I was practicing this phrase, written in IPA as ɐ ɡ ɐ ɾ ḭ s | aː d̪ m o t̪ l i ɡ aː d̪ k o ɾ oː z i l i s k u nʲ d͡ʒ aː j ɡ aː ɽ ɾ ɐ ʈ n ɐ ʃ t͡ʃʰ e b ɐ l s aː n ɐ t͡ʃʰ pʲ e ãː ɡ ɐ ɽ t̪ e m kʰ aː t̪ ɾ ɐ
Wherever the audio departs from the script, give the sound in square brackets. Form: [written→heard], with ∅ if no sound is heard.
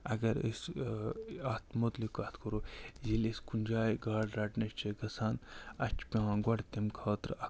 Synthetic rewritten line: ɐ ɡ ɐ ɾ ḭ s | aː [d̪→t̪] m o t̪ l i [ɡ→k] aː [d̪→t̪] k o ɾ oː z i l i s k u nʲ d͡ʒ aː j ɡ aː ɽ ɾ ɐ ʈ n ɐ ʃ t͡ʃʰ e [b→ɡ] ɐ [l→∅] s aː n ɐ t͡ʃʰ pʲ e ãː ɡ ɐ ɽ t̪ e m kʰ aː t̪ ɾ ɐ